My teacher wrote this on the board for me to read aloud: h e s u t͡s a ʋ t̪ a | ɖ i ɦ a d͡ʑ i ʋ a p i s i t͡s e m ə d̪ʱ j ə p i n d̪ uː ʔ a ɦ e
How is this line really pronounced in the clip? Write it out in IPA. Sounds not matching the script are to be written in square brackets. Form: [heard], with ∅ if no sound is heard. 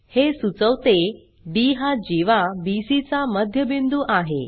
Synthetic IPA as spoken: h e s u t͡s [ə] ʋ t̪ [e] | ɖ i ɦ a d͡ʑ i ʋ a [b] i s i t͡s [a] m ə d̪ʱ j ə [b] i n d̪ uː ʔ a ɦ e